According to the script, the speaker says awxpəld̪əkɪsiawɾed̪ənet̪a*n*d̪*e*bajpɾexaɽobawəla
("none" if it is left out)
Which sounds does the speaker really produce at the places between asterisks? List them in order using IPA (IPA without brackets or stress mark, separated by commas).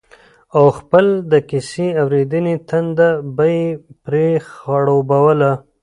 n, a